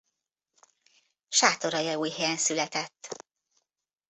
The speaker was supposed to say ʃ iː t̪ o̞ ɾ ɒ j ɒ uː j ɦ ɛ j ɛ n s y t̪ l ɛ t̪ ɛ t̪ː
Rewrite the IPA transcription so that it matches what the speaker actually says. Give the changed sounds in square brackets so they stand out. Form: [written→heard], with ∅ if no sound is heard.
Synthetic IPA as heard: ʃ [iː→aː] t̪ o̞ ɾ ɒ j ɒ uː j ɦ ɛ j ɛ n s y [t̪→∅] l ɛ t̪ ɛ t̪ː

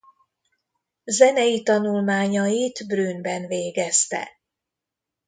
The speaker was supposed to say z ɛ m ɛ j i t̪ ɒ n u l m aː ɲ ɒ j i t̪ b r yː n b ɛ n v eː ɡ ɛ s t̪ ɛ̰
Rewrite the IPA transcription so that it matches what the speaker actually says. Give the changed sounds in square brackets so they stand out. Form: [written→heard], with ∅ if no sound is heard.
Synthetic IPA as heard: z ɛ [m→n] ɛ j i t̪ ɒ n u l m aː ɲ ɒ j i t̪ b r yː n b ɛ n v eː ɡ ɛ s t̪ ɛ̰

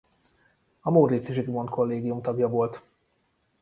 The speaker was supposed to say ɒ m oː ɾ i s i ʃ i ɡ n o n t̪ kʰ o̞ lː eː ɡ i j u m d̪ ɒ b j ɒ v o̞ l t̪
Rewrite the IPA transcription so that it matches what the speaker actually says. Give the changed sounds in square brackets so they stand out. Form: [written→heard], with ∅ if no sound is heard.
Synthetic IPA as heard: ɒ m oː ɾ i s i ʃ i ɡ [n→m] o n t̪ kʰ o̞ lː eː ɡ i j u m [d̪→t̪] ɒ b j ɒ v o̞ l t̪

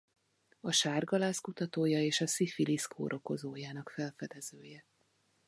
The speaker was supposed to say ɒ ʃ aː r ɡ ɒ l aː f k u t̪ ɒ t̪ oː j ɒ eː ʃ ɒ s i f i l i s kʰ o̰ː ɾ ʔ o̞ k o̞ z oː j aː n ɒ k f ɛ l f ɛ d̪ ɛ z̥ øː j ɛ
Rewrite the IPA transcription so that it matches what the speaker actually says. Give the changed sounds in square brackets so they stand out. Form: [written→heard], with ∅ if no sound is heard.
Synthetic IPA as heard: ɒ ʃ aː r ɡ ɒ l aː [f→s] k u t̪ ɒ t̪ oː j ɒ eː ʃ ɒ s i f i l i s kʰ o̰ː ɾ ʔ o̞ k o̞ z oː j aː n ɒ k f ɛ l f ɛ d̪ ɛ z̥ øː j ɛ

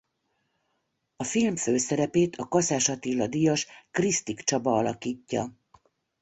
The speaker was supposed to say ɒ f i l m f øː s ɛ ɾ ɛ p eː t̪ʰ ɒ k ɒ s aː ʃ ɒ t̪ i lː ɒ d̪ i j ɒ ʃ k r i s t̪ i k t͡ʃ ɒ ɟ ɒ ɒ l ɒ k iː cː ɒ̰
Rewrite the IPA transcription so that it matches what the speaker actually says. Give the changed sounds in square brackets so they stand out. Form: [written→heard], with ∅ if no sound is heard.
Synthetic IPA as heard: ɒ f i l m f øː s ɛ ɾ ɛ p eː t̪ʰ ɒ k ɒ s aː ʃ ɒ t̪ i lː ɒ d̪ i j ɒ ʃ k r i s t̪ i k t͡ʃ ɒ [ɟ→b] ɒ ɒ l ɒ k iː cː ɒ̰

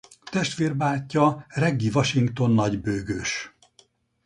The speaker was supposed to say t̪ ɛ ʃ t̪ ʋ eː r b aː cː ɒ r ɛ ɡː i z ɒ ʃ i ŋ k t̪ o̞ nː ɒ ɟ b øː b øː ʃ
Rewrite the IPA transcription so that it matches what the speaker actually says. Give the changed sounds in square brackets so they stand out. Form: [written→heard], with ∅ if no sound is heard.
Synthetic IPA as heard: t̪ ɛ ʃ t̪ ʋ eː r b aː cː ɒ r ɛ ɡː i [z→v] ɒ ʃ i ŋ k t̪ o̞ nː ɒ ɟ b øː [b→ɡ] øː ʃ

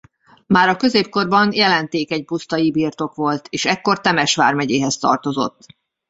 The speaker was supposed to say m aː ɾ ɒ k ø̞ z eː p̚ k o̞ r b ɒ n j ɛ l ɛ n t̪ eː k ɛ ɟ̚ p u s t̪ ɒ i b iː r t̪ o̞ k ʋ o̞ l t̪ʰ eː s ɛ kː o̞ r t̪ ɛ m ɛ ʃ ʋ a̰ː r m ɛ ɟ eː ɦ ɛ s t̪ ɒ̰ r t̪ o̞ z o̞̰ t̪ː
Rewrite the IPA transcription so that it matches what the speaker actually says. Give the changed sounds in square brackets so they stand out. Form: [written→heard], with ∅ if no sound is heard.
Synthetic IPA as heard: m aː ɾ ɒ k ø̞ z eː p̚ k o̞ r b ɒ n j ɛ l ɛ n t̪ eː k ɛ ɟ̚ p u s t̪ ɒ i b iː r t̪ o̞ k ʋ o̞ l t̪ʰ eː [s→ʃ] ɛ kː o̞ r t̪ ɛ m ɛ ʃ ʋ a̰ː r m ɛ ɟ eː ɦ ɛ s t̪ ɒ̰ r t̪ o̞ z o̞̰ t̪ː

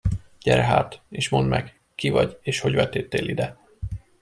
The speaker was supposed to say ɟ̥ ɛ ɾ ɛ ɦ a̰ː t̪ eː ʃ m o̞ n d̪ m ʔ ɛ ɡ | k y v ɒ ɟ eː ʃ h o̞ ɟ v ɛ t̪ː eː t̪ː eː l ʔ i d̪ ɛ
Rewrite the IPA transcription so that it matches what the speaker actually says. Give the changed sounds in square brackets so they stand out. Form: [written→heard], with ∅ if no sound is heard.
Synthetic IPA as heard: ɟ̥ ɛ ɾ ɛ ɦ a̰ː t̪ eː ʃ m o̞ n d̪ m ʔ ɛ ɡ | k [y→i] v ɒ ɟ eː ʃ h o̞ ɟ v ɛ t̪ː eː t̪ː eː l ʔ i d̪ ɛ

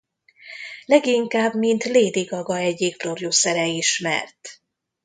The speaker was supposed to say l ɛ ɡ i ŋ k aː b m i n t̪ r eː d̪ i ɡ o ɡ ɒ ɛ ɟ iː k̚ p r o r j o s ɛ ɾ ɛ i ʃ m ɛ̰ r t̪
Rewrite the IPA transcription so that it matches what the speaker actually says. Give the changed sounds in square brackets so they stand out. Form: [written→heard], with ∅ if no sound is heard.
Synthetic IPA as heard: l ɛ ɡ i ŋ k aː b m i n t̪ [r→l] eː d̪ i ɡ [o→ɒ] ɡ ɒ ɛ ɟ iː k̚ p r o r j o s ɛ ɾ ɛ i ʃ m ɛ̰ r t̪

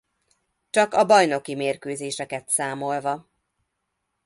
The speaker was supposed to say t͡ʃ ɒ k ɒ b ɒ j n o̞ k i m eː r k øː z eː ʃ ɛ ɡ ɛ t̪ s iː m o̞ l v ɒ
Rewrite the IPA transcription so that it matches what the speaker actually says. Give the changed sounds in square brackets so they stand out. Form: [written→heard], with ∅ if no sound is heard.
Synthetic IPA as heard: t͡ʃ ɒ k ɒ b ɒ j n o̞ k i m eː r k øː z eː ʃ ɛ [ɡ→k] ɛ t̪ s [iː→aː] m o̞ l v ɒ

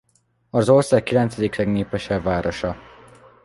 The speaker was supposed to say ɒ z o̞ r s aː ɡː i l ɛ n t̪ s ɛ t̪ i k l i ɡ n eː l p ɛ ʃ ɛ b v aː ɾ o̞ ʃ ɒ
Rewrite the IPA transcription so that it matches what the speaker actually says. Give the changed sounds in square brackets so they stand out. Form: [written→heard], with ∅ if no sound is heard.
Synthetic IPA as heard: ɒ z o̞ r s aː [ɡː→kː] i l ɛ n t̪ s ɛ [t̪→d̪] i k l [i→ɛ] ɡ n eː [l→∅] p ɛ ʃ ɛ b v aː ɾ o̞ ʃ ɒ

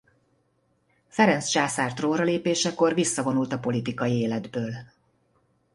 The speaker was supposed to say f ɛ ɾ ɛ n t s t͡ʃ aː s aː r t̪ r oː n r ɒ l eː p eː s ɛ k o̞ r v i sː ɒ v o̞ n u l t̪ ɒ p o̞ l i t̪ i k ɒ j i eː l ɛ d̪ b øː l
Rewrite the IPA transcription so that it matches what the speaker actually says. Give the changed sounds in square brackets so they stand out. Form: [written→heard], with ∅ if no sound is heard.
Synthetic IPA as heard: f ɛ ɾ ɛ n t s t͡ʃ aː s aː r t̪ r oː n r ɒ l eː p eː [s→ʃ] ɛ k o̞ r v i sː ɒ v o̞ n u l t̪ ɒ p o̞ l i t̪ i k ɒ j i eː l ɛ d̪ b øː l

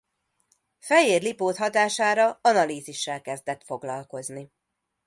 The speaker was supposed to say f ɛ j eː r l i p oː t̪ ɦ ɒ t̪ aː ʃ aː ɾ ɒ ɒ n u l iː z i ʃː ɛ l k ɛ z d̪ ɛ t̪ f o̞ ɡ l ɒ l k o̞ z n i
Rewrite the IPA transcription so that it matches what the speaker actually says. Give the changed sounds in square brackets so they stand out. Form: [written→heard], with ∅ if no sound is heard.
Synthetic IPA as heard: f ɛ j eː r l i p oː t̪ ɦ ɒ t̪ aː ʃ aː ɾ ɒ ɒ n [u→ɒ] l iː z i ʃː ɛ l k ɛ z d̪ ɛ t̪ f o̞ ɡ l ɒ l k o̞ z n i

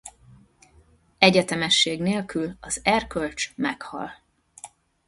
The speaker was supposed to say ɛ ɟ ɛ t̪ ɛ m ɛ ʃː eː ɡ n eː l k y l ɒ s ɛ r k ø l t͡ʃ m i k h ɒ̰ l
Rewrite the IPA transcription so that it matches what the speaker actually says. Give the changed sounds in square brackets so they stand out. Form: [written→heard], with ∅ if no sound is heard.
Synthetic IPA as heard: ɛ ɟ ɛ t̪ ɛ m ɛ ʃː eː ɡ n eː l k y l ɒ [s→z] ɛ r k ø l t͡ʃ m [i→ɛ] k h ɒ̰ l

